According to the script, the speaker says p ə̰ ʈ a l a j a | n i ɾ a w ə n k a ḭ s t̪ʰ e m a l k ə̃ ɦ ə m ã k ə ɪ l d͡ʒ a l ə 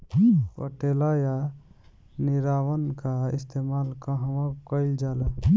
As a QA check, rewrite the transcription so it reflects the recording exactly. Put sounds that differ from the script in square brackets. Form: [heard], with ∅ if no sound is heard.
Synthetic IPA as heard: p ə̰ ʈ [e] l a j a | n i ɾ a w ə n k a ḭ s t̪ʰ e m a l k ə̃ ɦ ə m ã k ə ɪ l d͡ʒ a l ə